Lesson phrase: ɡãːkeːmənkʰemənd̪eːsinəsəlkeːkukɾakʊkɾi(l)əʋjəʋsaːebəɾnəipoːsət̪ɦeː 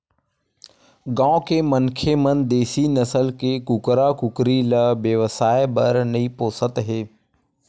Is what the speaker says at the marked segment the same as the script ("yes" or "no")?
yes